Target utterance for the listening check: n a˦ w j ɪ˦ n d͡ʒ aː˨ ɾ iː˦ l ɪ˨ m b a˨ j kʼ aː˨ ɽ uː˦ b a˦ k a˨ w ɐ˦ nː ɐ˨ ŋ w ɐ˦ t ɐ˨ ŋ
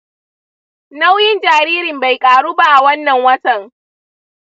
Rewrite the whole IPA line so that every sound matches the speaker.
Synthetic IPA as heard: n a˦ w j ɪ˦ n d͡ʒ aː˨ ɾ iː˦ ɾ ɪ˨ m b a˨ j kʼ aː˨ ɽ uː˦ b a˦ ʔ a˨ w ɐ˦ nː ɐ˨ ŋ w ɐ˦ t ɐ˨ ŋ